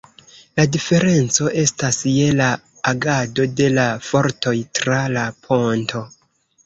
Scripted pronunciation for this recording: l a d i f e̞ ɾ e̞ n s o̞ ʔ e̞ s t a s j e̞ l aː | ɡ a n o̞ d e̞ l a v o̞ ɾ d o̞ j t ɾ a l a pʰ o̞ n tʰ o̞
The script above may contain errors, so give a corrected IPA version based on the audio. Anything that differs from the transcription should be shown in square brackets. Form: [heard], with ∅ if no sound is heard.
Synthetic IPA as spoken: l a d i f e̞ ɾ e̞ n [t͡s] o̞ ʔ e̞ s t a s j e̞ l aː | ɡ a [d] o̞ d e̞ l a [f] o̞ ɾ [t] o̞ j t ɾ a l a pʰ o̞ n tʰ o̞